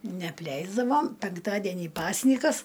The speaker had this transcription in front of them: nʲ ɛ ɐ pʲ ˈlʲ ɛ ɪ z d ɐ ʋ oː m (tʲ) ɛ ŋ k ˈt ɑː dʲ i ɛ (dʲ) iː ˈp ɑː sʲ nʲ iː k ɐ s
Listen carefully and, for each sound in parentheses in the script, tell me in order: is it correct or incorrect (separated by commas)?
incorrect, incorrect